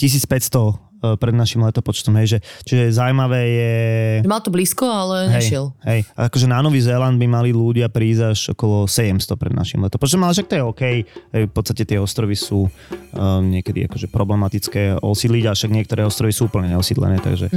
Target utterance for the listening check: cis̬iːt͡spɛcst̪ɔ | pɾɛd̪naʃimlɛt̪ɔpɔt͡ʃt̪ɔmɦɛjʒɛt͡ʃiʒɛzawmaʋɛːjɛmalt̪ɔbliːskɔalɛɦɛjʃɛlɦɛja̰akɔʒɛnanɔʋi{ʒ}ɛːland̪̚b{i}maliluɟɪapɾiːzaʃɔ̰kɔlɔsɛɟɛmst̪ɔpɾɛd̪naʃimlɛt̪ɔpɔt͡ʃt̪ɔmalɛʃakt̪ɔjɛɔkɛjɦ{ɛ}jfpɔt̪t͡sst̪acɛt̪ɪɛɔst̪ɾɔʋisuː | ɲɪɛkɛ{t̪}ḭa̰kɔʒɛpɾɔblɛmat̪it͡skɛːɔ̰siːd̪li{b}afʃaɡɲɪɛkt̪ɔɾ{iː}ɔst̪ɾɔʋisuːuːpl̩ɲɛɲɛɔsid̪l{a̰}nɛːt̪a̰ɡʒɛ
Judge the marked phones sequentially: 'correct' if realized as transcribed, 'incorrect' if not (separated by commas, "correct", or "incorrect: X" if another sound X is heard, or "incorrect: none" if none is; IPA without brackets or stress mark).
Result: incorrect: z, correct, correct, incorrect: d̪, incorrect: ɟ, incorrect: ɛː, incorrect: ɛ̰